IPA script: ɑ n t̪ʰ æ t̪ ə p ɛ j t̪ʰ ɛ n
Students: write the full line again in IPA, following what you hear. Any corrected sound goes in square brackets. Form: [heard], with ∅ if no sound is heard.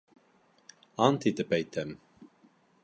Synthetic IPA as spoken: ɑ n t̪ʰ [i] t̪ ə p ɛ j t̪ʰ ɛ [m]